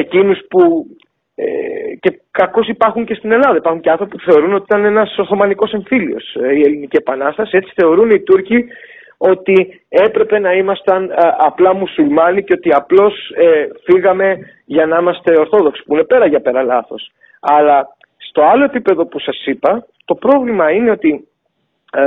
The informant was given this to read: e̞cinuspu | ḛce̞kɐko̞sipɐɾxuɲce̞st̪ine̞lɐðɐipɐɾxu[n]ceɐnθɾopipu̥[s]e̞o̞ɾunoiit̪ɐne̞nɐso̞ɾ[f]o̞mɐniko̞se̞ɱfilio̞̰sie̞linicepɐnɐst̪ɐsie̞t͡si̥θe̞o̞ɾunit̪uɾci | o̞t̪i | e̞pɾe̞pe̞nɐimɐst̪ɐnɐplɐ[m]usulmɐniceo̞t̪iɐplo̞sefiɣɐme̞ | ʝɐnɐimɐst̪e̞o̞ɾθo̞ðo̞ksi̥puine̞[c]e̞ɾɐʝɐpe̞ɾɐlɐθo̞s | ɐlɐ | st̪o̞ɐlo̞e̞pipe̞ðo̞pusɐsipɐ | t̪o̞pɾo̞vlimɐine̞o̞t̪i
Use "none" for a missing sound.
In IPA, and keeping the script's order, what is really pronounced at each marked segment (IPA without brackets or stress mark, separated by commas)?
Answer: ɲ, θ, θ, m, p